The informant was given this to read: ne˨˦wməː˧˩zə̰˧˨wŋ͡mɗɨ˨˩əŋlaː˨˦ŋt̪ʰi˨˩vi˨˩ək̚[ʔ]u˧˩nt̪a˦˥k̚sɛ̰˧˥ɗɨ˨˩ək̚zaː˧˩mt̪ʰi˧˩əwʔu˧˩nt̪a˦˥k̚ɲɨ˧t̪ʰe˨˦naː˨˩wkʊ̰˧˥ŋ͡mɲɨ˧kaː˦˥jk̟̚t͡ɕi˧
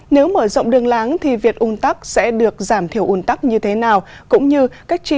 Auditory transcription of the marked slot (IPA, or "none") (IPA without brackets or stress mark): ʔ